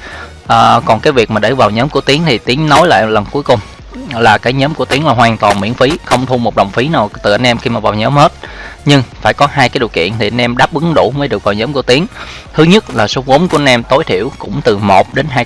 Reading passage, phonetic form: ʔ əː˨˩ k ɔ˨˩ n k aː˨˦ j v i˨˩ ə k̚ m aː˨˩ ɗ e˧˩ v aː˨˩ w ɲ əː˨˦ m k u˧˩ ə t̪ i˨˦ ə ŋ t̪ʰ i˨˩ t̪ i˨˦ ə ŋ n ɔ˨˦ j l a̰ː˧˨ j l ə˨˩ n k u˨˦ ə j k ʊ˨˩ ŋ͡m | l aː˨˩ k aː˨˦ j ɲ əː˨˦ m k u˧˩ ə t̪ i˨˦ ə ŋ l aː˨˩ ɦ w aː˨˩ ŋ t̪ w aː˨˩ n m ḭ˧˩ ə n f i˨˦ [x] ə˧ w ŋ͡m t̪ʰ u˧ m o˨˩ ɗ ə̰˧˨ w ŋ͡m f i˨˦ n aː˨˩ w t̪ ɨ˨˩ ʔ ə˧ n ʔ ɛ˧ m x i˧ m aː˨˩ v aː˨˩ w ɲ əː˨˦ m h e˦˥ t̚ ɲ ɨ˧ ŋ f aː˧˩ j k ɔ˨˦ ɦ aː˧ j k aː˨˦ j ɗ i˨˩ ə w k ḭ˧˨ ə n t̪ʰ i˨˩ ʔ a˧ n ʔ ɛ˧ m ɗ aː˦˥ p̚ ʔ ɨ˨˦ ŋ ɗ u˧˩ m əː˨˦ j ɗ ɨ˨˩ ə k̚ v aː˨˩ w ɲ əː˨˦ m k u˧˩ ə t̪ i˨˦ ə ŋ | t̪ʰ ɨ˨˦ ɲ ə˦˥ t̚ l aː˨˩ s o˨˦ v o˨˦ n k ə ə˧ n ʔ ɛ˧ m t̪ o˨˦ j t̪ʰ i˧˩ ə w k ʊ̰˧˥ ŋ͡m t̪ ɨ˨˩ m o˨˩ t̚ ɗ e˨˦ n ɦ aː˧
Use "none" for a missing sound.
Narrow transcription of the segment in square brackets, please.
x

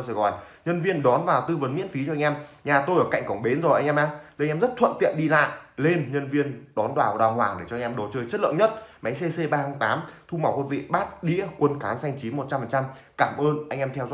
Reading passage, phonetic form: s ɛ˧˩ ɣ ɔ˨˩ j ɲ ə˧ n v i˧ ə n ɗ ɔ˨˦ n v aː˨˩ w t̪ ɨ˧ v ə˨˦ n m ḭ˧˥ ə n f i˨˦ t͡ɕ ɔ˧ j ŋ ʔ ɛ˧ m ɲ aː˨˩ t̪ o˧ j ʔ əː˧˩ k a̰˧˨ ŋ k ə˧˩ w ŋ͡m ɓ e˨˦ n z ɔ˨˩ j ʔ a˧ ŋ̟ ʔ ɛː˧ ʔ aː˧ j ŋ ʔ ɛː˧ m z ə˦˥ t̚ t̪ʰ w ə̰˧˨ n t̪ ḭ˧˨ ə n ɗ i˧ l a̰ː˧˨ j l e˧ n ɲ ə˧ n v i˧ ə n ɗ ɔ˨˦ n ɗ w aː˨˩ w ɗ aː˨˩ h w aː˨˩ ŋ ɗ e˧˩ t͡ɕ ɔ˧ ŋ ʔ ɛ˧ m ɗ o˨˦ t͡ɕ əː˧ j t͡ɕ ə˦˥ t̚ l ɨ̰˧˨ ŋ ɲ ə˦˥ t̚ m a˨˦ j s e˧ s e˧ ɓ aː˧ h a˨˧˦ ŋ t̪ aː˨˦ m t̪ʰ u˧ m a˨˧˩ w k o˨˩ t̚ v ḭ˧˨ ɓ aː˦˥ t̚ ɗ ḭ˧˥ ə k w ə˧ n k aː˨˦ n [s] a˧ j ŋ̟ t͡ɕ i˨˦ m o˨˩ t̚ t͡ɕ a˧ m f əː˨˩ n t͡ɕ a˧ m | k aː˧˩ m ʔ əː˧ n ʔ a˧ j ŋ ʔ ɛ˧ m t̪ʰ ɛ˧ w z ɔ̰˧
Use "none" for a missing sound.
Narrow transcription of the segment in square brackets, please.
s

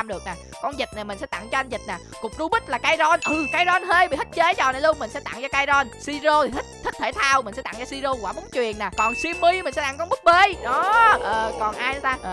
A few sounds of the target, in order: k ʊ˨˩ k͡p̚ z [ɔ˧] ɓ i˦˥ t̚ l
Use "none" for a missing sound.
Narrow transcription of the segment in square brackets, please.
u˧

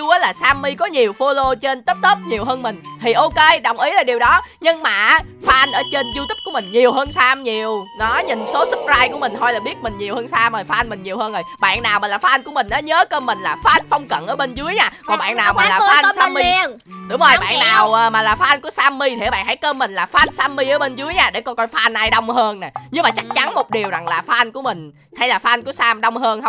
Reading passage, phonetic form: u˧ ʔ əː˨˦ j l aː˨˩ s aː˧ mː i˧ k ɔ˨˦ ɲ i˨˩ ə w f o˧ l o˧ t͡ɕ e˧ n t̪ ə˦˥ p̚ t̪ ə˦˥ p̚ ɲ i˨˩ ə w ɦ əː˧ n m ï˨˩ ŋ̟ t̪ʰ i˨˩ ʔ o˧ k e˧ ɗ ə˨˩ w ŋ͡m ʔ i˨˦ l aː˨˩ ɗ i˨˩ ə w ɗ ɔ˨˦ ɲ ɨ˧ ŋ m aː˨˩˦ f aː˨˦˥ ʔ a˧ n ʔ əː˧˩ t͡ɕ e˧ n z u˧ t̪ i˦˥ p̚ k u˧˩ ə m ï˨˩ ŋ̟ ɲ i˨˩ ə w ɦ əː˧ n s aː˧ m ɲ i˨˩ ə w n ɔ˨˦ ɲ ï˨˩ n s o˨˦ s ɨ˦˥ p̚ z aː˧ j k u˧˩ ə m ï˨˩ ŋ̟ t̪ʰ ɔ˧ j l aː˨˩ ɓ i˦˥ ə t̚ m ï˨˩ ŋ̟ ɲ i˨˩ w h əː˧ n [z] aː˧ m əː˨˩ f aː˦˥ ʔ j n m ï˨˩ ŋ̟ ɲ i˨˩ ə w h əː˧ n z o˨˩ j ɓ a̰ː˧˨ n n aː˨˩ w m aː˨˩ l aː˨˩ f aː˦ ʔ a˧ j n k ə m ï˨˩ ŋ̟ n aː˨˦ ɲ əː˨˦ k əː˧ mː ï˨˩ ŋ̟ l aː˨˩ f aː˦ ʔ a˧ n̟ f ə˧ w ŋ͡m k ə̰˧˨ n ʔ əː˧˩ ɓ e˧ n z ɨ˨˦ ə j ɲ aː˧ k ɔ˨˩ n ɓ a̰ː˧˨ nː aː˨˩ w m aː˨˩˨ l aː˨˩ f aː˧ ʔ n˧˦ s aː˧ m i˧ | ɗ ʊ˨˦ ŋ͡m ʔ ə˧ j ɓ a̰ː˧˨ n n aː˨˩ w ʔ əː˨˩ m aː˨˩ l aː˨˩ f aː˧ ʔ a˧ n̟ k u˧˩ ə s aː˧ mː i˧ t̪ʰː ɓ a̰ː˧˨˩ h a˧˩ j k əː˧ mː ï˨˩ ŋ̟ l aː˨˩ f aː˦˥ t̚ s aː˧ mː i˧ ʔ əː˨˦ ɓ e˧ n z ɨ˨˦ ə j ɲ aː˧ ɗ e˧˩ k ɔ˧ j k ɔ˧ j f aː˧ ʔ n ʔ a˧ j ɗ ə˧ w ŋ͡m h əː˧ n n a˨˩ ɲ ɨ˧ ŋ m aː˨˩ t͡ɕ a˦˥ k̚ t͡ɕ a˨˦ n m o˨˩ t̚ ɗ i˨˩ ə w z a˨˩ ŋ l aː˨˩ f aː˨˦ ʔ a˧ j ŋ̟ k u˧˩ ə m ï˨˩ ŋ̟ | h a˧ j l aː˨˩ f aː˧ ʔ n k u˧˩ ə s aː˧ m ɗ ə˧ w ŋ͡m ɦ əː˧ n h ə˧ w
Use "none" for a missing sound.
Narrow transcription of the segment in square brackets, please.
s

